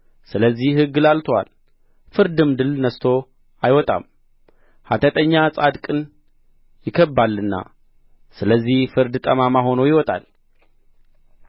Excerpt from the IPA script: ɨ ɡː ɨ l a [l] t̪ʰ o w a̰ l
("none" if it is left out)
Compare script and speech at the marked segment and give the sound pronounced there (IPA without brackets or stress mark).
l